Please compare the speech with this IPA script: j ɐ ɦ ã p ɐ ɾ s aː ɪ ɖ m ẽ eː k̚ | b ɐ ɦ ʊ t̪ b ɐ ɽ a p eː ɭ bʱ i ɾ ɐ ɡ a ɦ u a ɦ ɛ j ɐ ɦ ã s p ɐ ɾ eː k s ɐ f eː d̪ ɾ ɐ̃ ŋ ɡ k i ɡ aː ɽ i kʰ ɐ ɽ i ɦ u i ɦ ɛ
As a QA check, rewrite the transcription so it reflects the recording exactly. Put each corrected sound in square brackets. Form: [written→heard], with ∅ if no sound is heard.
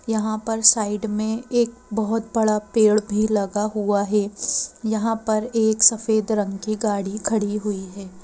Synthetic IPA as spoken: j ɐ ɦ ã p ɐ ɾ s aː ɪ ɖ m ẽ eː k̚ | b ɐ ɦ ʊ t̪ b ɐ ɽ a p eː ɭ bʱ i [ɾ→l] ɐ ɡ a ɦ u a ɦ ɛ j ɐ ɦ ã [s→∅] p ɐ ɾ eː k s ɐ f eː d̪ ɾ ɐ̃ ŋ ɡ k i ɡ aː ɽ i kʰ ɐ ɽ i ɦ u i ɦ [ɛ→ɛː]

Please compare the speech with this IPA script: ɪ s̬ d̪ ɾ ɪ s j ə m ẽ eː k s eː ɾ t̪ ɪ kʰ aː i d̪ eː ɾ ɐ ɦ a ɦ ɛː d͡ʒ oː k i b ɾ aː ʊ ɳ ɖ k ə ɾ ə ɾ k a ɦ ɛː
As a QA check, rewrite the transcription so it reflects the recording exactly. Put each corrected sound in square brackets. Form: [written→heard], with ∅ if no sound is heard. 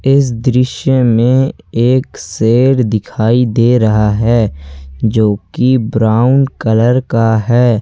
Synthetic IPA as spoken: ɪ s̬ d̪ ɾ ɪ [s→ʃ] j ə m ẽ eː k s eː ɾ [t̪→d̪] ɪ kʰ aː i d̪ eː ɾ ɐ ɦ a ɦ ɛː d͡ʒ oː k i b ɾ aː ʊ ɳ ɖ k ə [ɾ→l] ə ɾ k a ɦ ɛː

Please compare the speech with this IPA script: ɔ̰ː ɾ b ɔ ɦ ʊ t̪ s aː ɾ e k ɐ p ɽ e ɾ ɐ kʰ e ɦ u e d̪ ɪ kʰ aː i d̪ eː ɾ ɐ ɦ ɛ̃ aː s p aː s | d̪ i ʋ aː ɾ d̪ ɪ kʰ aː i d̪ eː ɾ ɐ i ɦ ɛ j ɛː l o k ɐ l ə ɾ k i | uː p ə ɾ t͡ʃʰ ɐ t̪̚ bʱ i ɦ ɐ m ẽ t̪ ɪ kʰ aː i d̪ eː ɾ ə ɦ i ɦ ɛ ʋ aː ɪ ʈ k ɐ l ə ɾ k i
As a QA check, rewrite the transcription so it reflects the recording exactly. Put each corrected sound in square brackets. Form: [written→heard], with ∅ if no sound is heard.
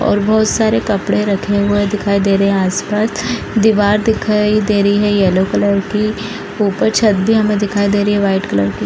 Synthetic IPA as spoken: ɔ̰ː ɾ b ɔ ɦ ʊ t̪ s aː ɾ e k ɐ p ɽ e ɾ ɐ kʰ e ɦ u e d̪ ɪ kʰ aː i d̪ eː ɾ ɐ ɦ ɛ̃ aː s p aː s | d̪ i ʋ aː ɾ d̪ ɪ kʰ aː i d̪ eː ɾ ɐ i ɦ ɛ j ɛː l o k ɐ l ə ɾ k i | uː p ə ɾ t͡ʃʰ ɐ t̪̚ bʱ i ɦ ɐ m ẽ [t̪→d̪] ɪ kʰ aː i d̪ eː ɾ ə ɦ i ɦ ɛ ʋ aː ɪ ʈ k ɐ l ə ɾ k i

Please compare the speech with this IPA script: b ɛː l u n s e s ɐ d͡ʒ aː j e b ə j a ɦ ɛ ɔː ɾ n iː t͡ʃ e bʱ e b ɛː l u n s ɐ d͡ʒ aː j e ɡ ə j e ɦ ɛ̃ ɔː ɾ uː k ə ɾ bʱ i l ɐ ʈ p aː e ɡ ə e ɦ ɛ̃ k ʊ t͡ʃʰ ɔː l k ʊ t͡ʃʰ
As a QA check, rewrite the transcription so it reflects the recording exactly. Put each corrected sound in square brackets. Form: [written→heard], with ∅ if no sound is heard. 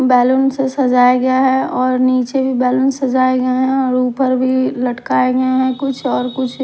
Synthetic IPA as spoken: b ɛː l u n s e s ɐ d͡ʒ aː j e [b→ɡ] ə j a ɦ ɛ ɔː ɾ n iː t͡ʃ e bʱ [e→i] b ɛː l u n s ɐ d͡ʒ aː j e ɡ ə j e ɦ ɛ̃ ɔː ɾ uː [k→p] ə ɾ bʱ i l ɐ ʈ [p→k] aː e ɡ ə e ɦ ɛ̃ k ʊ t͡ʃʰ ɔː [l→ɾ] k ʊ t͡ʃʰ

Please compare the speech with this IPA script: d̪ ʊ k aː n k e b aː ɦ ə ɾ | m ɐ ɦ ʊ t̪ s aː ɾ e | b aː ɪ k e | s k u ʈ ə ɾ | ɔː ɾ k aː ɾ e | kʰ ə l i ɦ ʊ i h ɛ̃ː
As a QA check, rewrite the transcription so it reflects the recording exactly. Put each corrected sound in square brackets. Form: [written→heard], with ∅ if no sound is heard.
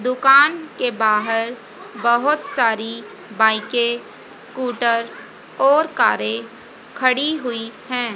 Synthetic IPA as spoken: d̪ ʊ k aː n k e b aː ɦ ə ɾ | [m→b] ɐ ɦ ʊ t̪ s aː ɾ [e→i] | b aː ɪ k e | s k [u→uː] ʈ ə ɾ | ɔː ɾ k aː ɾ e | kʰ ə [l→ɽ] i ɦ ʊ i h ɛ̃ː

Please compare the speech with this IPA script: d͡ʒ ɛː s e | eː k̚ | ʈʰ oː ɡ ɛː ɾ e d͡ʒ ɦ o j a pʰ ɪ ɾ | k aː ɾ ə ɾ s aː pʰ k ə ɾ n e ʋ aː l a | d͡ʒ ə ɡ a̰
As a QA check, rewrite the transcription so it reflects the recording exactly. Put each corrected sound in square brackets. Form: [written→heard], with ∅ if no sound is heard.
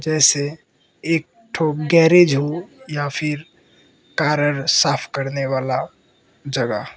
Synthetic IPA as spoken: d͡ʒ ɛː s e | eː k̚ | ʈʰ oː ɡ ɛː ɾ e d͡ʒ ɦ o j a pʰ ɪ ɾ | k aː ɾ ə ɾ s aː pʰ k ə ɾ n e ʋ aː l a | d͡ʒ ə ɡ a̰

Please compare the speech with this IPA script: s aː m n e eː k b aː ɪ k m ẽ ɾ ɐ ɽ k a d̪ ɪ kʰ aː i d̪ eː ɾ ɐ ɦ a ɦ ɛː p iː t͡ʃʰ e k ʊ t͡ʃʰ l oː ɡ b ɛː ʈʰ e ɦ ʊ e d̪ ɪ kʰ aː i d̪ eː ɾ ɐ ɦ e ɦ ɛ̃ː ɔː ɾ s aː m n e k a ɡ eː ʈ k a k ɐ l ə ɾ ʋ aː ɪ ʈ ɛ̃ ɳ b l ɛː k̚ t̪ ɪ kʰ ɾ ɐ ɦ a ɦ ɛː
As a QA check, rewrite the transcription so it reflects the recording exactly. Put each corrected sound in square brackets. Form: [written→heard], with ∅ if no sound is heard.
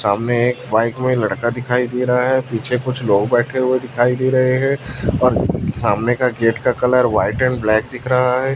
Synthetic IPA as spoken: s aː m n e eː k b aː ɪ k m ẽ [ɾ→l] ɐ ɽ k a d̪ ɪ kʰ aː i d̪ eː ɾ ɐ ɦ a ɦ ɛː p iː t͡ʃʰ e k ʊ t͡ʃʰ l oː ɡ b ɛː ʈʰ e ɦ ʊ e d̪ ɪ kʰ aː i d̪ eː ɾ ɐ ɦ e ɦ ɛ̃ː ɔː ɾ s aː m n e k a ɡ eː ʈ k a k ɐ l ə ɾ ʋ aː ɪ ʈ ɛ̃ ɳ b l ɛː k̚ [t̪→d̪] ɪ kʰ ɾ ɐ ɦ a ɦ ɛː

